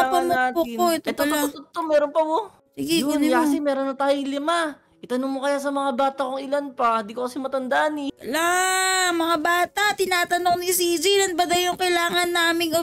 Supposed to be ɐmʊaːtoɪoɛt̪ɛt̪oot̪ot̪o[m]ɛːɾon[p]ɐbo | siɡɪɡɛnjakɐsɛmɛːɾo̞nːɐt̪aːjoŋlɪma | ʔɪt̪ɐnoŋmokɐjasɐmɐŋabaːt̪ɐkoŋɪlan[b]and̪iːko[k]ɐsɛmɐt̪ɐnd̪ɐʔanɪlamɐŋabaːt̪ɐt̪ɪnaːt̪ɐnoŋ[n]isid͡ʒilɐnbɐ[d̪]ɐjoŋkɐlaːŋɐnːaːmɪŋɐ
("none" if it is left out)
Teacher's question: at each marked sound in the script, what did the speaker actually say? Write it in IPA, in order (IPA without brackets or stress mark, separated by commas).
m, p, p, k, n, d̪